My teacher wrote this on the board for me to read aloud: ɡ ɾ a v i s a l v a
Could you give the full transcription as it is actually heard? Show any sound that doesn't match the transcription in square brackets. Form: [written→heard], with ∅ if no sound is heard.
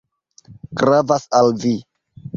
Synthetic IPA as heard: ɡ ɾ a v [i→a] s a l v [a→i]